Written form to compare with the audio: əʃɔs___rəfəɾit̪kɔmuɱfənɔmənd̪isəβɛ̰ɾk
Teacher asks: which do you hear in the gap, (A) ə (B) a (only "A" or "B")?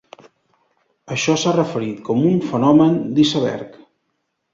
B